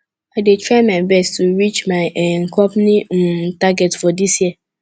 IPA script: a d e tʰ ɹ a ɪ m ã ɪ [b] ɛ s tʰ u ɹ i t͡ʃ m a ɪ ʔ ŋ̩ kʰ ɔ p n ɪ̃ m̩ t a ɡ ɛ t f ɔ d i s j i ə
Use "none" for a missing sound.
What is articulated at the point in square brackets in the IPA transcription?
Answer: b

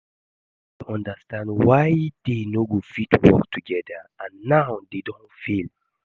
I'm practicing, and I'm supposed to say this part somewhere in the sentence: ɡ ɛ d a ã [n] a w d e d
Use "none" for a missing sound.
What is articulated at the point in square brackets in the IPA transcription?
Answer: nː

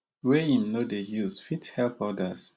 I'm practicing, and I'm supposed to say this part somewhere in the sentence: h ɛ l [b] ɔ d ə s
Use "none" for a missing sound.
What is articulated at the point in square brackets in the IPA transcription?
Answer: p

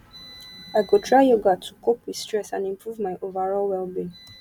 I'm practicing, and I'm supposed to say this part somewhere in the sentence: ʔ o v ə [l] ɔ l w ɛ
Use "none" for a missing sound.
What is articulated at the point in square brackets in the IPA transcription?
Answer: ɹ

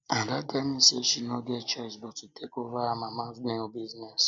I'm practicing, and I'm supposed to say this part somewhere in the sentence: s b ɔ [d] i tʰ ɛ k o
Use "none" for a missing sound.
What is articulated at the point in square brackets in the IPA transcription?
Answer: t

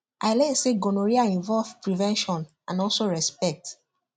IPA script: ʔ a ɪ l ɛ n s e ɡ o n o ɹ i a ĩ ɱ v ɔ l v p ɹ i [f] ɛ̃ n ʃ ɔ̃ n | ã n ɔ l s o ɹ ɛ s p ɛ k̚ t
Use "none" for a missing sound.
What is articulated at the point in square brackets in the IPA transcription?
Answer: v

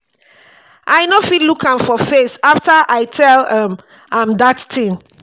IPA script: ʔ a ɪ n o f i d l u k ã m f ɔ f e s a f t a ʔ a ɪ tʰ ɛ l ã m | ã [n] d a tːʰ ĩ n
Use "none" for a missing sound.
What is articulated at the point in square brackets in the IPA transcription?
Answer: m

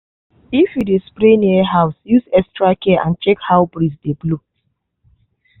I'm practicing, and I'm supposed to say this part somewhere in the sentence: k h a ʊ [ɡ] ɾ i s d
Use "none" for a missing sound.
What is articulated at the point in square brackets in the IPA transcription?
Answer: b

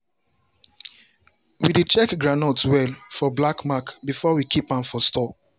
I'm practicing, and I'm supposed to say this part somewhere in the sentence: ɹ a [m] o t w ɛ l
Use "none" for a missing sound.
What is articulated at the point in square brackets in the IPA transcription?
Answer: n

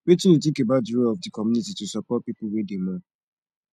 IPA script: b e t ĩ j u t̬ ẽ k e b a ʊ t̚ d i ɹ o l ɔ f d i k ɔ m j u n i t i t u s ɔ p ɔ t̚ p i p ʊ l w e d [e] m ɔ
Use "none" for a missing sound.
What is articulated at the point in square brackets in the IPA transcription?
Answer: e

